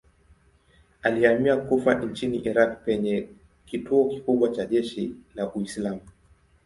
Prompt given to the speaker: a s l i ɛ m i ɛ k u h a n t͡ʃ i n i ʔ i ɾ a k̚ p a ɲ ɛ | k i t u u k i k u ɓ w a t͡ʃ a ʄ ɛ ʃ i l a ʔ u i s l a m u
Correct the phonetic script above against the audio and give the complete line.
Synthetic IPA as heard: a l i a m i a k u f a n t͡ʃ i n i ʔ i ɾ a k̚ p ɛ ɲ ɛ | k i t u ɔ k i k u ɓ w a t͡ʃ a ʄ ɛ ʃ i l a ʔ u i s l a m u

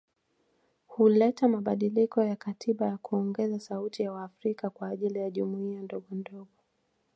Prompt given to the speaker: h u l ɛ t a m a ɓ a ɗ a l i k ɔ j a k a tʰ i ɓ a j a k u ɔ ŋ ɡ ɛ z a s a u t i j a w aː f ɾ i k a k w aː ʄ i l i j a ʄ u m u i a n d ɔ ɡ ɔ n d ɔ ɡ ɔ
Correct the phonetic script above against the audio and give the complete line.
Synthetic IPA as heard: h u l ɛ t a m a ɓ a ɗ i l i k ɔ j a k a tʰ i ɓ a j a k u ɔ ŋ ɡ ɛ z a s a u t i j a w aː f ɾ i k a k w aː ʄ i l i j a ʄ u m u i a n d ɔ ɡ ɔ n d ɔ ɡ ɔ

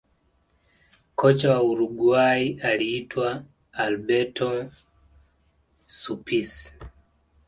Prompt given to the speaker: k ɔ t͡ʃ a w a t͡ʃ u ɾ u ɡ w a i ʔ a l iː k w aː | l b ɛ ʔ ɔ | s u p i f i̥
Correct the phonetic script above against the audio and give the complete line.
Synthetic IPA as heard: k ɔ t͡ʃ a w a u ɾ u ɡ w a i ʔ a l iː t w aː | l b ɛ t ɔ | s u p i s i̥

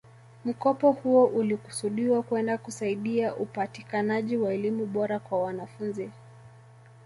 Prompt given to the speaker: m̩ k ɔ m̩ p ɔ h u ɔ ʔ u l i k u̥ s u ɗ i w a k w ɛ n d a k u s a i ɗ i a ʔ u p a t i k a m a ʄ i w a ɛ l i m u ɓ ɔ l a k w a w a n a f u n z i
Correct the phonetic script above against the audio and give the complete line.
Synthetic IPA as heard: m̩ k ɔ p ɔ h u ɔ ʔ u l i k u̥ s u ɗ i w a k w ɛ n d a k u s a i ɗ i a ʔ u p a t i k a n a ʄ i w a ɛ l i m u ɓ ɔ ɾ a k w a w a n a f u n z i

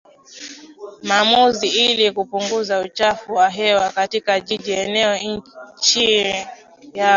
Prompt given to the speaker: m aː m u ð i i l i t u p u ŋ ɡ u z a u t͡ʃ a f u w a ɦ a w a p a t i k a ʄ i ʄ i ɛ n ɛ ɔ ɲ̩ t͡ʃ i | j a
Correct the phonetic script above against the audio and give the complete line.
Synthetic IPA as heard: m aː m u z i i l i k u p u ŋ ɡ u z a u t͡ʃ a f u w a ɦ ɛ w a k a t i k a ʄ i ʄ i ɛ n ɛ ɔ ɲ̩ t͡ʃ i | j a

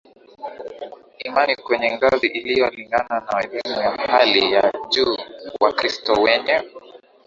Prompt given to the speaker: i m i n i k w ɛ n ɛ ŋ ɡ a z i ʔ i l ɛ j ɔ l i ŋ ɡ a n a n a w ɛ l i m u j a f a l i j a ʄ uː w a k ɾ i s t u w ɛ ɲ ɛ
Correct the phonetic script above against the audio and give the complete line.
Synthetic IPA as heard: i m a n i k w ɛ ɲ ɛ ŋ ɡ a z i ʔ i l i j ɔ l i ŋ ɡ a n a n a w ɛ l i m u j a h a l i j a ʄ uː w a k ɾ i s t ɔ w ɛ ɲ ɛ

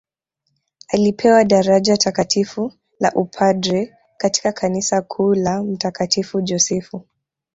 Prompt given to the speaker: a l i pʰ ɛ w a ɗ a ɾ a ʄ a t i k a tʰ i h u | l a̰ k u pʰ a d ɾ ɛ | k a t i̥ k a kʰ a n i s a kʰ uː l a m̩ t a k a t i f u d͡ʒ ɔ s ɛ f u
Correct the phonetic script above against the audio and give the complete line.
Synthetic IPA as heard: a l i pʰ ɛ w a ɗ a ɾ a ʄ a t a k a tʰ i f u | l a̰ ʔ u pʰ a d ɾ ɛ | k a t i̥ k a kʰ a n i s a kʰ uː l a m̩ t a k a t i f u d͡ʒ ɔ s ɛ f u

